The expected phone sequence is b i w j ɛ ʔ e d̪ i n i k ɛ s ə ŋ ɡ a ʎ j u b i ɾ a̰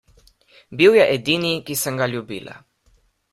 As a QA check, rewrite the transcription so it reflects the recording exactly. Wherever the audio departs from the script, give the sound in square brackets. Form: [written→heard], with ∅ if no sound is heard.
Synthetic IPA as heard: b i w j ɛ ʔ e d̪ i n i k [ɛ→i] s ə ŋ ɡ a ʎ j u b i [ɾ→l] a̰